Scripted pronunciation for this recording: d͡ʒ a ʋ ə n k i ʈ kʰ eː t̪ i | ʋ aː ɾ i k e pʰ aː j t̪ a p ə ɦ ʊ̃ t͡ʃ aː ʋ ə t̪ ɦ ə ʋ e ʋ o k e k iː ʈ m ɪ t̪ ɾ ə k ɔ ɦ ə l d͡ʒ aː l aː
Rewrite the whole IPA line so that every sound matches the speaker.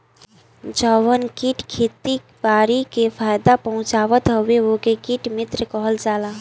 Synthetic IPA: d͡ʒ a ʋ ə n k i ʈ kʰ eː t̪ i | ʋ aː ɾ i k e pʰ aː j d̪ a p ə ɦ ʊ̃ t͡ʃ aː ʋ ə t̪ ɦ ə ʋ e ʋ o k e k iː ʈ m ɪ t̪ ɾ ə k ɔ ɦ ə l d͡ʒ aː l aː